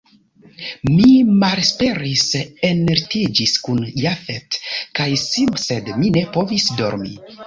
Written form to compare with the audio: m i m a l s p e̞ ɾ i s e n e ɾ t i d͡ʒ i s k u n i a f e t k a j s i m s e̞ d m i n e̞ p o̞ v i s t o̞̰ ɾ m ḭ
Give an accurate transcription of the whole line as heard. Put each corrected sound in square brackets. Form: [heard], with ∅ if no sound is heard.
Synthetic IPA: m i m a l s p e̞ ɾ i s e n e ɾ t i d͡ʒ i s k u n [j] a f e t k a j s i m s e̞ d m i n e̞ p o̞ v i s [d] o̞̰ ɾ m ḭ